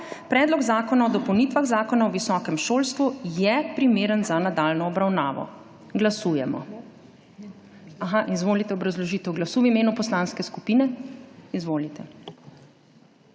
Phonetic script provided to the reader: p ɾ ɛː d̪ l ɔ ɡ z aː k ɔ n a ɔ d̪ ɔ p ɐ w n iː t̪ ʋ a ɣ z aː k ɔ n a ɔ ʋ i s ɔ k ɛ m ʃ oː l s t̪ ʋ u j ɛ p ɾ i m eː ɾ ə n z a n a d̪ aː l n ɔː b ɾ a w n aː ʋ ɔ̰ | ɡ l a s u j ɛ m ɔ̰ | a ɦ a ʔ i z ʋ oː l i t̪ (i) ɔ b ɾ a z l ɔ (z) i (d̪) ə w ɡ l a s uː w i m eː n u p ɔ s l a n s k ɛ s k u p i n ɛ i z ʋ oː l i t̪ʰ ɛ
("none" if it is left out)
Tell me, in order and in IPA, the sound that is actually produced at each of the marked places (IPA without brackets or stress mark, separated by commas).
ɛ, ʒ, t̪